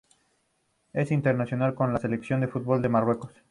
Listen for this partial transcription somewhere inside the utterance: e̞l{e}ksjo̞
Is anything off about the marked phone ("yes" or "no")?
no